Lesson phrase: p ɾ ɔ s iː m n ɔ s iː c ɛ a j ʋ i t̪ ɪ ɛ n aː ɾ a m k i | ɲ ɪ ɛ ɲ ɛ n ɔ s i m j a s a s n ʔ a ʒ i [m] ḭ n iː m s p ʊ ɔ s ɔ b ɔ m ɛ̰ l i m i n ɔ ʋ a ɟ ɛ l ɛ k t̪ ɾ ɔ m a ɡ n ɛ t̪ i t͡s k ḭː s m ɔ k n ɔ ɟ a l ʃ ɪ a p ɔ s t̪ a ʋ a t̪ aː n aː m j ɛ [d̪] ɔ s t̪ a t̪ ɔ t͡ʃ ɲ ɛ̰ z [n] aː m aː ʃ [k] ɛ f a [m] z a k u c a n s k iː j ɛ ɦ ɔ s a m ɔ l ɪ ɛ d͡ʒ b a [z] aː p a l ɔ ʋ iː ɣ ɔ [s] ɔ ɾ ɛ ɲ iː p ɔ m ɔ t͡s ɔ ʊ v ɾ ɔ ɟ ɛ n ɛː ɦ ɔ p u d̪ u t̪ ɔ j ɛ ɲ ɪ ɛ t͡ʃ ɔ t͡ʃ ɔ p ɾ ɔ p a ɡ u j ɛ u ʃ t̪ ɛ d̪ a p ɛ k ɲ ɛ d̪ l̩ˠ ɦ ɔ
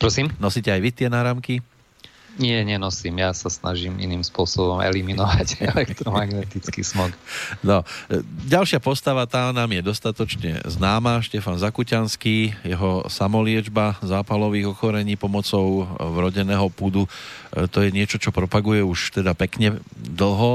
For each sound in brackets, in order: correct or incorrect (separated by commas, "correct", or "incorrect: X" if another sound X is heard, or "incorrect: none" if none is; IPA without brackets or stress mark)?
correct, correct, correct, incorrect: c, incorrect: n, correct, incorrect: x